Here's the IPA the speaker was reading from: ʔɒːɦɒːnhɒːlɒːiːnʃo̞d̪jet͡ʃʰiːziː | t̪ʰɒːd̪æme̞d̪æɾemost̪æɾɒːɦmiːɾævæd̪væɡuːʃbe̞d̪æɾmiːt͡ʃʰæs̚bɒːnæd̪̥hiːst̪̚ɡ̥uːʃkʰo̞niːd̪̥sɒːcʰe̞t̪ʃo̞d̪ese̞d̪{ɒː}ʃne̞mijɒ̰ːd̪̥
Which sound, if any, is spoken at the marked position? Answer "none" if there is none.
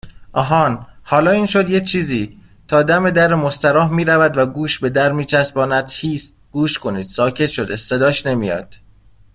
ɒː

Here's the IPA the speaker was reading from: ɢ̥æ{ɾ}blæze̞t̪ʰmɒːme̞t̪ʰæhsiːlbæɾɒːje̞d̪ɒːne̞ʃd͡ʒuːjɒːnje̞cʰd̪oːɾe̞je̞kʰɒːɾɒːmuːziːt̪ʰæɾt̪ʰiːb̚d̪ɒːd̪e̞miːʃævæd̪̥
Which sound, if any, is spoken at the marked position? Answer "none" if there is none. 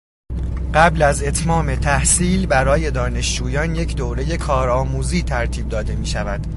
none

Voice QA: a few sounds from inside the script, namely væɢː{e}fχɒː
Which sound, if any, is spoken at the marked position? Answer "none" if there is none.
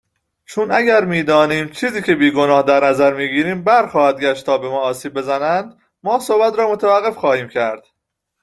e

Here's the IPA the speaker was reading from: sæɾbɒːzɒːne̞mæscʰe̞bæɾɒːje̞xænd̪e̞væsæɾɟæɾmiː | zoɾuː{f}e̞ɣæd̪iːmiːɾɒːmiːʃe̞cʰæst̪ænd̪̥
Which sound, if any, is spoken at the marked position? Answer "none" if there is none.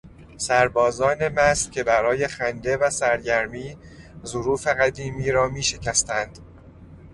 f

